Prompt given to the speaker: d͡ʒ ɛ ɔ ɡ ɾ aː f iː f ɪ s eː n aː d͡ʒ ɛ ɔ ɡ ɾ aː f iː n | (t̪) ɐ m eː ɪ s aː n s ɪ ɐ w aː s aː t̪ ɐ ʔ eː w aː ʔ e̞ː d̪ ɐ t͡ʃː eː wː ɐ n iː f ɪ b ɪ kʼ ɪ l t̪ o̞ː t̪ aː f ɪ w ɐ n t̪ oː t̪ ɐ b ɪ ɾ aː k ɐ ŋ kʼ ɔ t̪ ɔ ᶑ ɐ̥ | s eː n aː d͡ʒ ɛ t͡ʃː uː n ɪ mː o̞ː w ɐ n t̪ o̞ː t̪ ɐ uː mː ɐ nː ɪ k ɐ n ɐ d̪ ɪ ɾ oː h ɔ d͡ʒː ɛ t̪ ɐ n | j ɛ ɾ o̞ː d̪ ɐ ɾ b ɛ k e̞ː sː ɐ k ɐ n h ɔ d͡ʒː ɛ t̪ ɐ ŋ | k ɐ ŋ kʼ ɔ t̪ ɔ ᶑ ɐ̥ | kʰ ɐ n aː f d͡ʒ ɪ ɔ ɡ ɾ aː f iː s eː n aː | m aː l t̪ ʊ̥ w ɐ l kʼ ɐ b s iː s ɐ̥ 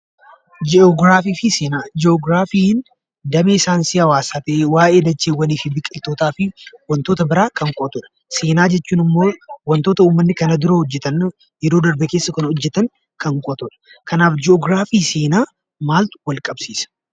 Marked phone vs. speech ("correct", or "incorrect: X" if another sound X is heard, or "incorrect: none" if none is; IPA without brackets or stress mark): incorrect: d̪